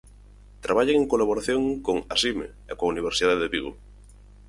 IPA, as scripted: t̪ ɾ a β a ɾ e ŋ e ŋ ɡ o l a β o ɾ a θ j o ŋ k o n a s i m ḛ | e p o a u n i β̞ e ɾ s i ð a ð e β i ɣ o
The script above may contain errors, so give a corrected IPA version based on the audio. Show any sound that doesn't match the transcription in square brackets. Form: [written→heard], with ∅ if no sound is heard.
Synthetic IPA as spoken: t̪ ɾ a β a [ɾ→ʎ] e ŋ e ŋ [ɡ→k] o l a β o ɾ a θ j o ŋ k o [n→ŋ] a s i m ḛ | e [p→k] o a u n i β̞ e ɾ s i ð a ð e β i ɣ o